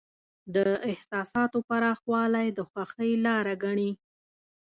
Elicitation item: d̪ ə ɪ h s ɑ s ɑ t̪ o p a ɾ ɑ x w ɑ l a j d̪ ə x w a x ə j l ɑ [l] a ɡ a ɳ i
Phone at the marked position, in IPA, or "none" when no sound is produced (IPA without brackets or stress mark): ɾ